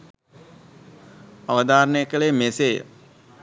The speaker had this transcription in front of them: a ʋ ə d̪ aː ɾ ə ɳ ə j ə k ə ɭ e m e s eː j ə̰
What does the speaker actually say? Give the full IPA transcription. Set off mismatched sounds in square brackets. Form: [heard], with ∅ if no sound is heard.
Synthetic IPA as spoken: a ʋ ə d̪ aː ɾ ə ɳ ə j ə k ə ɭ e m e s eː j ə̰